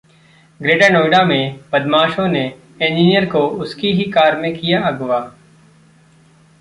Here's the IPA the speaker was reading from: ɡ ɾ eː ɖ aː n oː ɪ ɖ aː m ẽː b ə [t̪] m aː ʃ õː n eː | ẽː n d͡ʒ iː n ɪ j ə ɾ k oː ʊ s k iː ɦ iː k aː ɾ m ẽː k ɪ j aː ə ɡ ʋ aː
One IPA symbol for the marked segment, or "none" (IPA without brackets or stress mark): d̪